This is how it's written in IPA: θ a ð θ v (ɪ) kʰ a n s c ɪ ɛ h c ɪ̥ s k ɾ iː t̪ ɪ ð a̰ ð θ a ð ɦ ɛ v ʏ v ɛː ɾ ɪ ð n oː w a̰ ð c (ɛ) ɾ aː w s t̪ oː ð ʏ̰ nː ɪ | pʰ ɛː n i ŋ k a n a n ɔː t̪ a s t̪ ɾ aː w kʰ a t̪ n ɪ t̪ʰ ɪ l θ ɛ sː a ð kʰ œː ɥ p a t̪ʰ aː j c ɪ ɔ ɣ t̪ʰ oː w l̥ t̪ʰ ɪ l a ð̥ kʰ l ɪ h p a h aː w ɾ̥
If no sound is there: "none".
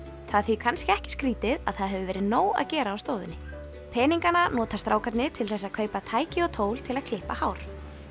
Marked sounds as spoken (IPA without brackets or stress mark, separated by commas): i, ɛː